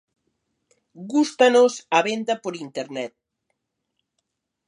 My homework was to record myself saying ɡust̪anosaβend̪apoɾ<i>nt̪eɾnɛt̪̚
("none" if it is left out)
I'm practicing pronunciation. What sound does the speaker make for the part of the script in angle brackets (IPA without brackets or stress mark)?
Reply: i